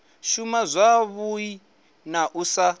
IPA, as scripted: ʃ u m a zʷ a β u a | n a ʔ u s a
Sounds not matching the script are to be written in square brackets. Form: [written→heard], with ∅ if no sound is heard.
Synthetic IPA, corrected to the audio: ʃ u m a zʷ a β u [a→i] | n a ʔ u s a